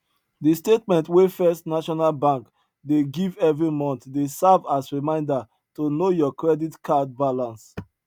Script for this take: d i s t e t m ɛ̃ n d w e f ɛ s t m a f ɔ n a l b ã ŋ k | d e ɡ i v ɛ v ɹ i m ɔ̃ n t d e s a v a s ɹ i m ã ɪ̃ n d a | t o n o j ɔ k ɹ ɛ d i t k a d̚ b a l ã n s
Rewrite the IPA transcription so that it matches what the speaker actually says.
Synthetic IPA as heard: d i s t e t m ɛ̃ n t w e f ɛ s t n a ʃ ɔ n a l b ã ŋ k | d e ɡ i v ɛ v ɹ i m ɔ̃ n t d e s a v a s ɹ i m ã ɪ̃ n d a | t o n o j ɔ k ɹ ɛ d i t k a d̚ b a l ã n s